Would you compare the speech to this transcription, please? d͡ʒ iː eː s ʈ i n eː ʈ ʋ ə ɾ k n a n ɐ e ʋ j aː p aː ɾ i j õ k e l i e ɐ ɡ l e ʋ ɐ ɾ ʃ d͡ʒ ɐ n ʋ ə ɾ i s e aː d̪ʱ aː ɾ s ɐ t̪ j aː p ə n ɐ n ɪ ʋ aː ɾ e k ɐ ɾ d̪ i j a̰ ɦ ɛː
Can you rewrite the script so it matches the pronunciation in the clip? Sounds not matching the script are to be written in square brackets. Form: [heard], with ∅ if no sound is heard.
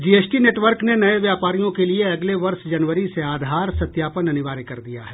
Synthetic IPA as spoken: d͡ʒ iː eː s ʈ i n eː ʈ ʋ ə ɾ k n [e] n ɐ e ʋ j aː p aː ɾ i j õ k e l i e ɐ ɡ l e ʋ ɐ ɾ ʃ d͡ʒ ɐ n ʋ ə ɾ i s e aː d̪ʱ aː ɾ s ɐ t̪ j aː p ə n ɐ n ɪ ʋ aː ɾ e k ɐ ɾ d̪ i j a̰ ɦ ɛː